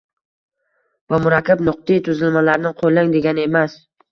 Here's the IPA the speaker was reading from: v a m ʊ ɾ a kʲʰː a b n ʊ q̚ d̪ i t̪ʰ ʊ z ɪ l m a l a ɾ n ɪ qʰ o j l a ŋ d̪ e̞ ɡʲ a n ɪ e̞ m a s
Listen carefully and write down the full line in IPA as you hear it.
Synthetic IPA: v a m ʊ ɾ a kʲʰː a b n ʊ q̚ t̪ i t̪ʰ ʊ z ɪ l m a l a ɾ n ɪ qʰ o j l a ŋ d̪ e̞ ɡʲ a n ɪ e̞ m a s